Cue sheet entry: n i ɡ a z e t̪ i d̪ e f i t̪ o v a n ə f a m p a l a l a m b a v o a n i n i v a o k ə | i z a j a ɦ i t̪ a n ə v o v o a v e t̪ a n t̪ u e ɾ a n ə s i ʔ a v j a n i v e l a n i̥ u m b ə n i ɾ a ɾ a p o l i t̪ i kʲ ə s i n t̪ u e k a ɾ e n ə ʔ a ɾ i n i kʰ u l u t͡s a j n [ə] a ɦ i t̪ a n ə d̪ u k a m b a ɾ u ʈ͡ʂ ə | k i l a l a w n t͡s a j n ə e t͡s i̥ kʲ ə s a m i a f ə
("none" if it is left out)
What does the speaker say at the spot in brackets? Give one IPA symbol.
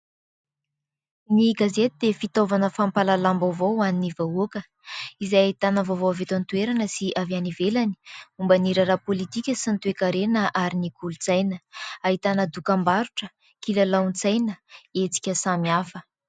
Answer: ə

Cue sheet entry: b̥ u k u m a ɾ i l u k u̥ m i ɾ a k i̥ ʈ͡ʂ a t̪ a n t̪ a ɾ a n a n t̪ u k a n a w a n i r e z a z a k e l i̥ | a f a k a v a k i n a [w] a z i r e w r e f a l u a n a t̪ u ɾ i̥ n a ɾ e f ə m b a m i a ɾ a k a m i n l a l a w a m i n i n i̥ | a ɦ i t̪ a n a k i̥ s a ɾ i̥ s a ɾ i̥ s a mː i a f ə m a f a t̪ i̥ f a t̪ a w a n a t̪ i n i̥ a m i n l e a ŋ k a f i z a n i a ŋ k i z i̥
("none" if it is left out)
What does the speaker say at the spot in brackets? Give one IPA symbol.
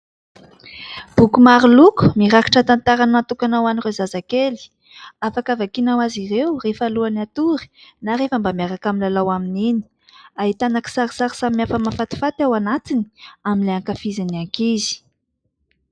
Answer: w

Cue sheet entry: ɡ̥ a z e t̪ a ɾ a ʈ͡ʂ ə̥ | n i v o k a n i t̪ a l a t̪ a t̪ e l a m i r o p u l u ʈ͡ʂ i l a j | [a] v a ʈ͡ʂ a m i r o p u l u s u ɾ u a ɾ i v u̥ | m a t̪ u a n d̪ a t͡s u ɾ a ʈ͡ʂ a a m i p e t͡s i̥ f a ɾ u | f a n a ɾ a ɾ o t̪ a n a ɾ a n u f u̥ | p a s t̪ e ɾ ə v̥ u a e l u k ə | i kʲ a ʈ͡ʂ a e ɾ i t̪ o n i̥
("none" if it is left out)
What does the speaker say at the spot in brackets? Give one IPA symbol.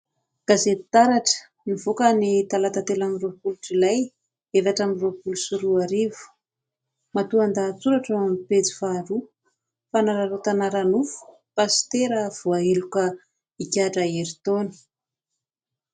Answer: e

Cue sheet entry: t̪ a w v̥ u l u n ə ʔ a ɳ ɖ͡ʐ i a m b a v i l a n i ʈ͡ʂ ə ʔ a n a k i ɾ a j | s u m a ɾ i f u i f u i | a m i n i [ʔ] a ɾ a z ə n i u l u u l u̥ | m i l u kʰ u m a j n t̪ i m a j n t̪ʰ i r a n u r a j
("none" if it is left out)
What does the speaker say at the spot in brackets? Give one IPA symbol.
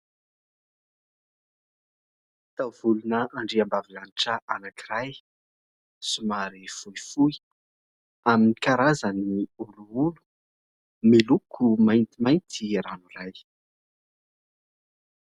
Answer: k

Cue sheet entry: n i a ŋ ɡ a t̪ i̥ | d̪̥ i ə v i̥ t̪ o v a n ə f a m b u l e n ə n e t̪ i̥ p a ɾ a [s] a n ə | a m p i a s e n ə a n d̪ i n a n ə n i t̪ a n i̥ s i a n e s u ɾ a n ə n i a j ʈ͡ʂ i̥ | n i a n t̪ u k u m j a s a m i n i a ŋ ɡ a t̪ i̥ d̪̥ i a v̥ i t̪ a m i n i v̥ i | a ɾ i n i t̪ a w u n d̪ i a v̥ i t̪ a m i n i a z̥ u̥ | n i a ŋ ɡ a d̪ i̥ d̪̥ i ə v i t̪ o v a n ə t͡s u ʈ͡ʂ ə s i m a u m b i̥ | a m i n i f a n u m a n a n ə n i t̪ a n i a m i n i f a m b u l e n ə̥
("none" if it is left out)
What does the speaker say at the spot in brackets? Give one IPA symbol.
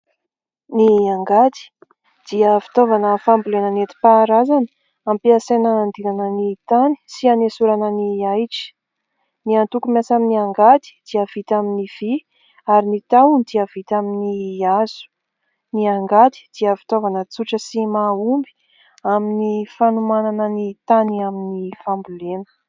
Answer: z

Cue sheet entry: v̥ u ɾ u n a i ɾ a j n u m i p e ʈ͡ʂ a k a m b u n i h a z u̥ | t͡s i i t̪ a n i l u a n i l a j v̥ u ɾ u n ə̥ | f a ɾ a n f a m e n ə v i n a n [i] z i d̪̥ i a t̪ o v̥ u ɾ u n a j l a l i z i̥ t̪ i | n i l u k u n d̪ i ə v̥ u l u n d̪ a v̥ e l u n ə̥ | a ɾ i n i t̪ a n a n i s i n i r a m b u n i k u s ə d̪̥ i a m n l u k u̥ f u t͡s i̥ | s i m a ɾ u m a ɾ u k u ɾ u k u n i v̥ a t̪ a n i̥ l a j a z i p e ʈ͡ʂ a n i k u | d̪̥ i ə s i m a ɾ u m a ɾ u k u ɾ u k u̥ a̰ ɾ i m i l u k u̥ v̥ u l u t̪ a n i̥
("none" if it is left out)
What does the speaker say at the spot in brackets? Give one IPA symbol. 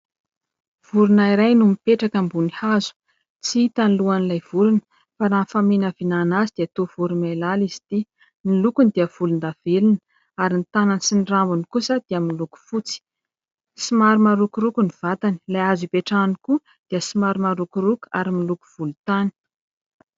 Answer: a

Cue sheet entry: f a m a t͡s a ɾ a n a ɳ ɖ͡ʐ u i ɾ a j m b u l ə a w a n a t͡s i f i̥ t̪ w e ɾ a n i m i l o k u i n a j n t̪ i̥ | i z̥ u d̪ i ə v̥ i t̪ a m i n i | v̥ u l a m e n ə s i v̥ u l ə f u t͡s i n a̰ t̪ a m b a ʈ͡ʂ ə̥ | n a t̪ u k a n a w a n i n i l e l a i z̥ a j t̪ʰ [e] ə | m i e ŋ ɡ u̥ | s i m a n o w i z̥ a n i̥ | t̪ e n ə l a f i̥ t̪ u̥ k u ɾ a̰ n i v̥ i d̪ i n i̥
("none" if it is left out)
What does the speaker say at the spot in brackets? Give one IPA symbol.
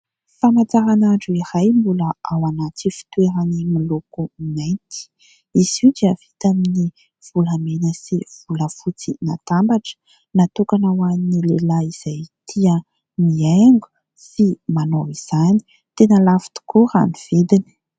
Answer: i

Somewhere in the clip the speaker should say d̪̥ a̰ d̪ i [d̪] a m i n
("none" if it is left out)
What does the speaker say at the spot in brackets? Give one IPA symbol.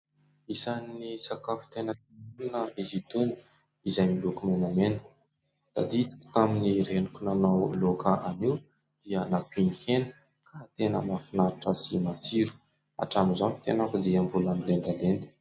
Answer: t̪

